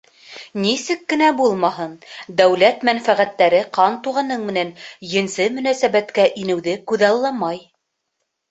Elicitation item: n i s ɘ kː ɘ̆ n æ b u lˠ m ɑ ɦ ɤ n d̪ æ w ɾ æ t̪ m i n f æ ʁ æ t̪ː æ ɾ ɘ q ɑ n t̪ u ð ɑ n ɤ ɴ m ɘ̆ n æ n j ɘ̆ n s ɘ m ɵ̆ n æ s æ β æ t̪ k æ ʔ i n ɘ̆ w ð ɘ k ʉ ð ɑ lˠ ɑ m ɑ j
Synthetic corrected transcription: n i s ɘ kː ɘ̆ n æ b u lˠ m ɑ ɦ ɤ n d̪ æ w l æ t̪ m æ n f æ ʁ æ t̪ː æ ɾ ɘ q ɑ n t̪ u ʁ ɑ n ɤ ɴ m ɘ̆ n æ n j ɘ̆ n s ɘ m ɵ̆ n æ s æ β æ t̪ k æ ʔ i n ɘ̆ w ð ɘ k ʉ ð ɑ lˠː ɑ m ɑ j